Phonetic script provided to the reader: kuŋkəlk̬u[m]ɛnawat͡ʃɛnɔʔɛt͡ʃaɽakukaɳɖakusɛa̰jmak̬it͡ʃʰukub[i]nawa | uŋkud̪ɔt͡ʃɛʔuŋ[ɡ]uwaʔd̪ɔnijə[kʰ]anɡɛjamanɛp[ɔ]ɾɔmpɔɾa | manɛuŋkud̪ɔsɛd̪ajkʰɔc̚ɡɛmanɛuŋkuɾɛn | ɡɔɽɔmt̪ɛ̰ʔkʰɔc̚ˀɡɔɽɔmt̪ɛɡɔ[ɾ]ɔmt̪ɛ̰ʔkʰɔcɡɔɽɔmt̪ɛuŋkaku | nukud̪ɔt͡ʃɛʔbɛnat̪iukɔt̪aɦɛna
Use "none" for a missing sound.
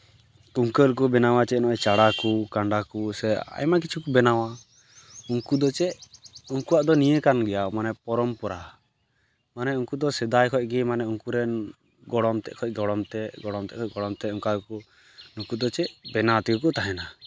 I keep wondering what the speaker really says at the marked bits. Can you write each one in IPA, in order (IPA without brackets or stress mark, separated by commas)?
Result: b, ɛ, k, k, ɔ, ɽ